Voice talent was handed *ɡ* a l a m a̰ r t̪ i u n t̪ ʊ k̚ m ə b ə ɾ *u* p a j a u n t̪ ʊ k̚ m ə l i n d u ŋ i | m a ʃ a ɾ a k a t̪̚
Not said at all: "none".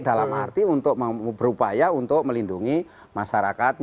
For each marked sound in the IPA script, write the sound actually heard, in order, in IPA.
d, u

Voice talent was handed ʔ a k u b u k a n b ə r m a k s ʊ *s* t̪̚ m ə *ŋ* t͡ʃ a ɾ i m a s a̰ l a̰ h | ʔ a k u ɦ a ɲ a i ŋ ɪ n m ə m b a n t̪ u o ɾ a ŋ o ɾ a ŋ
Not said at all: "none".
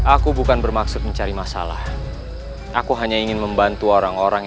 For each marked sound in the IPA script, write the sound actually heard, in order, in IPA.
none, ɲ

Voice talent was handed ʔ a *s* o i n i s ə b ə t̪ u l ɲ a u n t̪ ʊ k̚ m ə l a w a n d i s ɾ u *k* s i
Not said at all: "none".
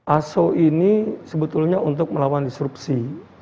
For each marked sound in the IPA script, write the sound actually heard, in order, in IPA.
s, p

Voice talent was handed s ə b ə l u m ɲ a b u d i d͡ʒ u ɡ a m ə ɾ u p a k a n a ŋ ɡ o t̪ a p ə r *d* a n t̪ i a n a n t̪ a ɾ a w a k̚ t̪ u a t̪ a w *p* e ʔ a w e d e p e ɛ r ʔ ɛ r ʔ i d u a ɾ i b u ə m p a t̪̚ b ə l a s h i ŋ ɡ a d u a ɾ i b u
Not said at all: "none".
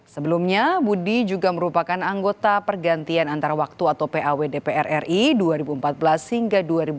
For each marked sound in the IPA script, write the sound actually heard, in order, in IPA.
ɡ, p

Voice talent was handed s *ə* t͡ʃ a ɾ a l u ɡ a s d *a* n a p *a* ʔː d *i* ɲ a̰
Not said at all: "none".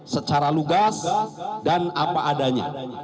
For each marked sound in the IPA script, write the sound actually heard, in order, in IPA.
ə, a, a, a

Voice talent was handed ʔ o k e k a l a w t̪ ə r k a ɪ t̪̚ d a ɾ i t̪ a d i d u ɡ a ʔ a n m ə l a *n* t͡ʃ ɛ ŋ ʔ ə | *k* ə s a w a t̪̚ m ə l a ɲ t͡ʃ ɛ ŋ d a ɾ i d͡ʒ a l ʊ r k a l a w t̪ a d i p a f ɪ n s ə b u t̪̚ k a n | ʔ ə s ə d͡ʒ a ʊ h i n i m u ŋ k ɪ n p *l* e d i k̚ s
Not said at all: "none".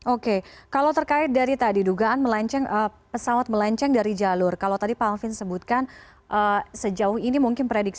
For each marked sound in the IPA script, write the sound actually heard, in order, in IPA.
ɲ, p, ɾ

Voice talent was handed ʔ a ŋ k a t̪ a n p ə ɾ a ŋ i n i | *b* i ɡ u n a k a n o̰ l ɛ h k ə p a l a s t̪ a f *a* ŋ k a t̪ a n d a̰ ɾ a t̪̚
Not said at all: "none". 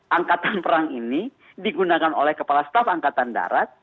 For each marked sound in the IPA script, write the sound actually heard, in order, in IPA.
d, a

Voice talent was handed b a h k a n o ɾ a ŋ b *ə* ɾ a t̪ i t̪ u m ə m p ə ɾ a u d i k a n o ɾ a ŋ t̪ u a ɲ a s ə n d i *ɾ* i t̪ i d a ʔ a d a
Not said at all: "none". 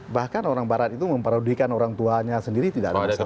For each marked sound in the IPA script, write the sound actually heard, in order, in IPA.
a, ɾ

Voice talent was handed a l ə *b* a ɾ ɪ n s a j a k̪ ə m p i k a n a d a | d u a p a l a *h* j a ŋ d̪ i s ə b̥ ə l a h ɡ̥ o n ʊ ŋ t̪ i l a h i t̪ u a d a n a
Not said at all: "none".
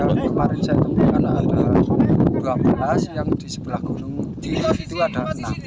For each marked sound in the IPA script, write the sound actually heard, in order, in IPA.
m, s

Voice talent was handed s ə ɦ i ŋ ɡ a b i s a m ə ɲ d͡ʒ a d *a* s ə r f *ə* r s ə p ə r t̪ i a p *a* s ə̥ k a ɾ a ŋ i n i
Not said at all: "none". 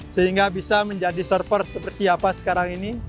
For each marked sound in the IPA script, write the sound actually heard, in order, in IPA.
i, ə, a

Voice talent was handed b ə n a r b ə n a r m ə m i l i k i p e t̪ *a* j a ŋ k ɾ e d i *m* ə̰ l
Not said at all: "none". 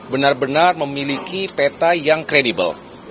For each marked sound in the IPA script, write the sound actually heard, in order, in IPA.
a, b

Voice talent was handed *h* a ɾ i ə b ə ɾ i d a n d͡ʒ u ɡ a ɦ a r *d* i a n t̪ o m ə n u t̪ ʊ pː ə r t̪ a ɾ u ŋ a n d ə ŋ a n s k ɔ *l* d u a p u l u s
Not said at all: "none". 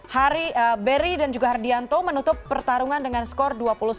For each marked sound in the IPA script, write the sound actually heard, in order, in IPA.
h, d, r

